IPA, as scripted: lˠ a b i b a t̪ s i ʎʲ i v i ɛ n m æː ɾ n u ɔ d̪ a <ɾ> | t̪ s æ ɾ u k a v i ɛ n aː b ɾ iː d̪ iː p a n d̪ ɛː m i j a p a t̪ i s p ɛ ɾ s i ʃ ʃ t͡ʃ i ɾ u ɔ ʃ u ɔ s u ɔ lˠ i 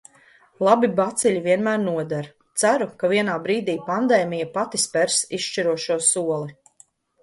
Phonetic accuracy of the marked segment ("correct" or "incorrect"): correct